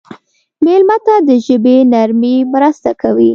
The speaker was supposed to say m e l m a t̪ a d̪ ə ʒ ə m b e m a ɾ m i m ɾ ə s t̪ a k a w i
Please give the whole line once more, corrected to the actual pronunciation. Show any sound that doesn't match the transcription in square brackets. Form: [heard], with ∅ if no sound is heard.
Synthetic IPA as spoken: m e l m a t̪ a d̪ ə ʒ ə [∅] b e [n] a ɾ m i m ɾ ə s t̪ a k a w i